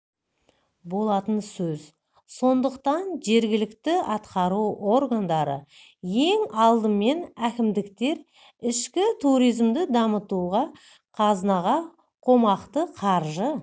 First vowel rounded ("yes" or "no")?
yes